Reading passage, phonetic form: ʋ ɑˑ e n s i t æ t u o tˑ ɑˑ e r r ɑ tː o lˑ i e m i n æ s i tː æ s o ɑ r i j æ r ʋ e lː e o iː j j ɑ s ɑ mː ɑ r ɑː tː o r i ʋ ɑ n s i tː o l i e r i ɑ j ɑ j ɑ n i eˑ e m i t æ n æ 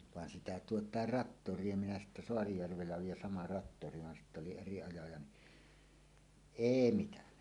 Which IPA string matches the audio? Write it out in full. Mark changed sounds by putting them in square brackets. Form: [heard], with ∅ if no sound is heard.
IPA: ʋ ɑˑ e n s i t æ t u o tˑ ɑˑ e r r ɑ tː o [rˑ] i e m i n æ s i tː æ s o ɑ r i j æ r ʋ e lː [æ] o iː j j ɑ s ɑ [m] ɑ r [ɑ] tː o r i ʋ ɑ n s i tː o l i e r i ɑ j ɑ j ɑ n i eˑ [i] m i t æ n æ